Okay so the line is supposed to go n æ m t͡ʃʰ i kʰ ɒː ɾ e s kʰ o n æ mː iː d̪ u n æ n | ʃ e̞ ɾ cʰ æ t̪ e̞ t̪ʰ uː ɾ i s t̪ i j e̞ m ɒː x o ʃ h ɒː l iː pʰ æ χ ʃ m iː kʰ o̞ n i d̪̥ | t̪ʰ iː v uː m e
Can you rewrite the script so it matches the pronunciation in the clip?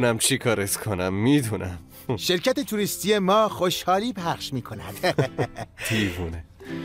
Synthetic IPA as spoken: n æ m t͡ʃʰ i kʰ ɒː ɾ e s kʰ o n æ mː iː d̪ u n æ m | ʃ e̞ ɾ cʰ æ t̪ e̞ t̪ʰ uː ɾ i s t̪ i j e̞ m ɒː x o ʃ h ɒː l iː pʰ æ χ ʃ m iː kʰ o̞ n æ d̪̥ | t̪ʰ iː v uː n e